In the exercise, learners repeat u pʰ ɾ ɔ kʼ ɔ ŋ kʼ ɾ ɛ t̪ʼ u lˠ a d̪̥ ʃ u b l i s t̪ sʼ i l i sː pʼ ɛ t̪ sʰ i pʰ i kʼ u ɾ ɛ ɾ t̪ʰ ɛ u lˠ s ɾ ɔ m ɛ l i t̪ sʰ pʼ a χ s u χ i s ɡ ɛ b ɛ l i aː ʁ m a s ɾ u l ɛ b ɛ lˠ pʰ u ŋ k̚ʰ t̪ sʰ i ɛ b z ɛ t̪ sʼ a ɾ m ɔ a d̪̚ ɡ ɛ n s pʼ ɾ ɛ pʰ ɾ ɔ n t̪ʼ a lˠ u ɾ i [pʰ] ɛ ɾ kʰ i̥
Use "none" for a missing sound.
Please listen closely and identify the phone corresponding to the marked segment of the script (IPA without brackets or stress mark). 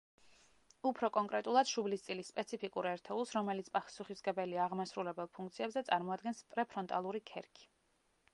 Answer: kʰ